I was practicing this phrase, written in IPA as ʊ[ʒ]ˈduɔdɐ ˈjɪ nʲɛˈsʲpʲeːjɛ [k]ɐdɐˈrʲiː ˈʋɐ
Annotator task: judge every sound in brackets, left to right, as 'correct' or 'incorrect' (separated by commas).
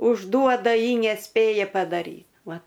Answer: correct, incorrect